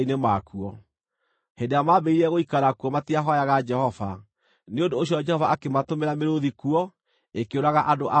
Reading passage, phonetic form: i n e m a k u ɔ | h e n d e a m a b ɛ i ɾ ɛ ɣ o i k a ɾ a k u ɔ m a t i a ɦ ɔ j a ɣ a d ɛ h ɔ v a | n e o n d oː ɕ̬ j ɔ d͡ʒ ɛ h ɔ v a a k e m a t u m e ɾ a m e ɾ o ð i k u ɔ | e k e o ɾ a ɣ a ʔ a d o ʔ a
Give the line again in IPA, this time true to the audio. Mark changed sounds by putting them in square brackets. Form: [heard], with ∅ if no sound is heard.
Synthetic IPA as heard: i n e m a k u ɔ | h e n d e a m a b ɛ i ɾ ɛ ɣ o i k a ɾ a k u ɔ m a t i a ɦ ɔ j a ɣ a [d͡ʒ] ɛ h ɔ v a | n e o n d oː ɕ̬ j ɔ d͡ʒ ɛ h ɔ v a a k e m a t [o] m e ɾ a m e ɾ o ð i k u ɔ | e k e o ɾ a ɣ a ʔ a d o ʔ a